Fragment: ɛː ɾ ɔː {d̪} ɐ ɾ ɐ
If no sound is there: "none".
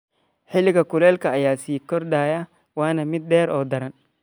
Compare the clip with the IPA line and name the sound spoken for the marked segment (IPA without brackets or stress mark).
d̪